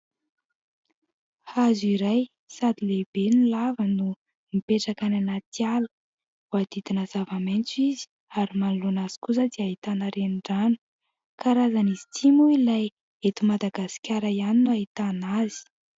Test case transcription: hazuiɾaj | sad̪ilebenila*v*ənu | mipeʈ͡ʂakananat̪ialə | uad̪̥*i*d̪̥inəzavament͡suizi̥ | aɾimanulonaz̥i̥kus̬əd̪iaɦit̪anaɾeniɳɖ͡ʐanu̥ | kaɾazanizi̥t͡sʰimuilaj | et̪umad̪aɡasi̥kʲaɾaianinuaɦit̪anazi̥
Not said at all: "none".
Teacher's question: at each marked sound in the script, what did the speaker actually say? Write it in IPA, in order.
v, i

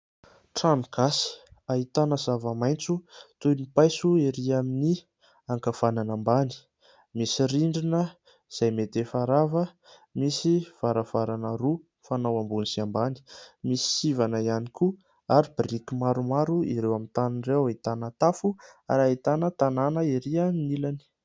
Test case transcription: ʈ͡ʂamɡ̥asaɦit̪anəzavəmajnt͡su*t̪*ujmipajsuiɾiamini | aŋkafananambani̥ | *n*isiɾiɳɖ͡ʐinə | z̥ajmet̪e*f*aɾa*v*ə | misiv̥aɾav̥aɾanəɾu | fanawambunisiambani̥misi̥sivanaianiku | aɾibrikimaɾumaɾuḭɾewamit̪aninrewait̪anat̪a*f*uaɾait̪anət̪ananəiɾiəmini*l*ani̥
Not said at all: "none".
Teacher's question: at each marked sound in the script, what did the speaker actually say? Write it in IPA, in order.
t̪, m, f, v, f, l

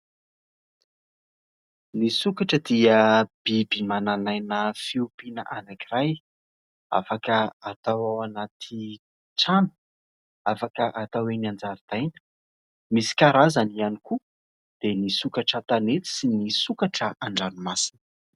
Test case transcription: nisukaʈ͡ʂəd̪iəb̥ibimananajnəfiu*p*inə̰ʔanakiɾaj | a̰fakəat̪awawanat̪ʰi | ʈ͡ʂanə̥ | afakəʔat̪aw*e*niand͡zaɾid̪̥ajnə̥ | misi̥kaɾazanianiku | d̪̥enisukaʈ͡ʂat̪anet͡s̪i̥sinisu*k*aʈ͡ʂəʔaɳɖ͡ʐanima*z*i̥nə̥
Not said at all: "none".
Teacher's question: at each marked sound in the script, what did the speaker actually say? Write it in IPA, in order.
p, e, k, s

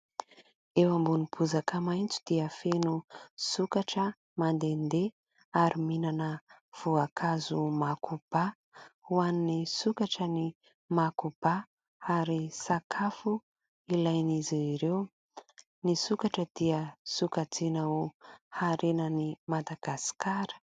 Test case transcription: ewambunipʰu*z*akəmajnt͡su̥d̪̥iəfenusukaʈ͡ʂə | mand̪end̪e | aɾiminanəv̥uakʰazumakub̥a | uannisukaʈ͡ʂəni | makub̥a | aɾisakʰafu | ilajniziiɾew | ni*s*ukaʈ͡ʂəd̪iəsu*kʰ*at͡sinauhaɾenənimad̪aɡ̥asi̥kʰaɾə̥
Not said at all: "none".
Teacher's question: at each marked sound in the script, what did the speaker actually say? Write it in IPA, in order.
z, s, k

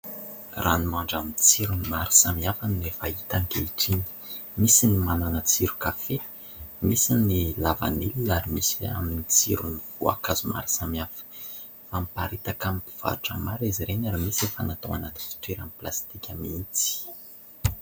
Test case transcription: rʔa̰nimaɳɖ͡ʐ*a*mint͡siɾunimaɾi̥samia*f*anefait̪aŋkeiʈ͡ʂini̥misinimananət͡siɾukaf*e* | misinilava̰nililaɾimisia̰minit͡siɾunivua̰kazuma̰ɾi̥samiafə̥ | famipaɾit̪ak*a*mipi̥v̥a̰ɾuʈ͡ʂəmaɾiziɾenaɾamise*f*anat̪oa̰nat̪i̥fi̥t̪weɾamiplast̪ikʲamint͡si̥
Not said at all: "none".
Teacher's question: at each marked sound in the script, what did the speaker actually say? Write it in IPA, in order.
a, f, e, a, f

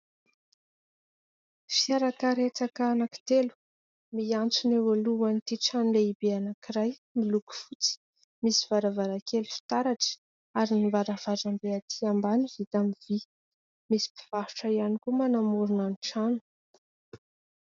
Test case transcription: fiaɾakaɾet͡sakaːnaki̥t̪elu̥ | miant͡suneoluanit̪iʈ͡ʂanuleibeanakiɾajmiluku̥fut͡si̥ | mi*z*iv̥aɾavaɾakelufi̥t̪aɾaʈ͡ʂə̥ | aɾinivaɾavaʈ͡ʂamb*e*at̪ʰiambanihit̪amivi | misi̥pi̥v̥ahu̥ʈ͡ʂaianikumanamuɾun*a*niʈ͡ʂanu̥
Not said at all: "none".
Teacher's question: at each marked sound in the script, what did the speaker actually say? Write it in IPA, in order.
s, e, a

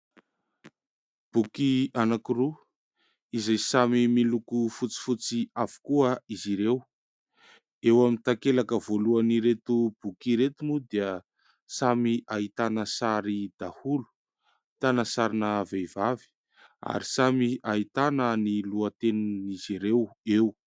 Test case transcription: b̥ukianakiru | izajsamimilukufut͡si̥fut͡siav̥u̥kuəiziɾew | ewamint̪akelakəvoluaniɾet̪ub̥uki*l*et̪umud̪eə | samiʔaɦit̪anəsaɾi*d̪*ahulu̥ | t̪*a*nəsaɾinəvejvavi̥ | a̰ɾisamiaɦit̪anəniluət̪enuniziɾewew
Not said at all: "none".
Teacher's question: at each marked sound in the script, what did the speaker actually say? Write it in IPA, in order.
ɾ, d̪, a

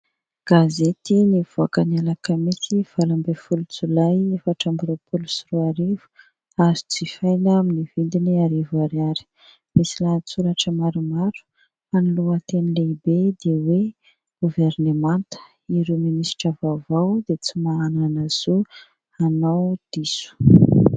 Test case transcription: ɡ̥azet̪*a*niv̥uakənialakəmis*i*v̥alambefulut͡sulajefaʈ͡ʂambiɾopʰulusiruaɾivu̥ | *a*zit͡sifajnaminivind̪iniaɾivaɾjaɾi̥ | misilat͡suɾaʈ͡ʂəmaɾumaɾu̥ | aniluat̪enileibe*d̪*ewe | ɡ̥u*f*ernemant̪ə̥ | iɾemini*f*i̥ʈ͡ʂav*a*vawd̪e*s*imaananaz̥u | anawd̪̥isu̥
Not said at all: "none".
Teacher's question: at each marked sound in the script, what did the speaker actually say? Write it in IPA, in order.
i, i, a, d̪, v, s, a, t͡s

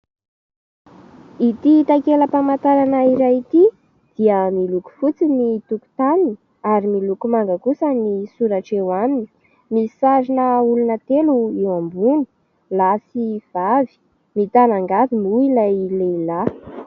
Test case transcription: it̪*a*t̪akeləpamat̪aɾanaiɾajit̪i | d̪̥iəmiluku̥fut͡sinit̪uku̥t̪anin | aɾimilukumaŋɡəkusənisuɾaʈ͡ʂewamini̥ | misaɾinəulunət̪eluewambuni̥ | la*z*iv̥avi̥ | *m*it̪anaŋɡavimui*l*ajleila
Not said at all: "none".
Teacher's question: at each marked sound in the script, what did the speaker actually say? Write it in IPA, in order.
i, s, m, l

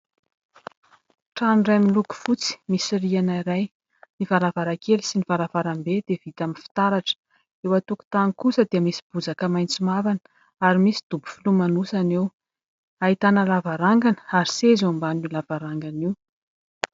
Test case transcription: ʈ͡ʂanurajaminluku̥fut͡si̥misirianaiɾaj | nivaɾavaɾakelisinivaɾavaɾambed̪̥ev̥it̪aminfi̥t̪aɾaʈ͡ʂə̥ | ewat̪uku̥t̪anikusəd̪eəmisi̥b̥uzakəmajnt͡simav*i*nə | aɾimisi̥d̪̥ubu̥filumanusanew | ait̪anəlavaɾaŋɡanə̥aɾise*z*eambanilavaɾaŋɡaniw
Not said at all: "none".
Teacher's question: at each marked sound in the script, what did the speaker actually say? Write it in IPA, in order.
a, z

